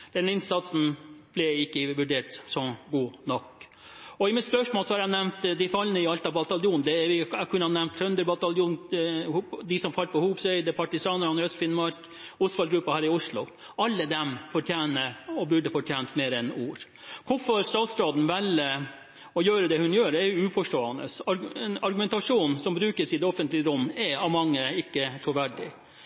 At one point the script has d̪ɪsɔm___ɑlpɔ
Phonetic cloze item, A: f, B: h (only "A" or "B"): A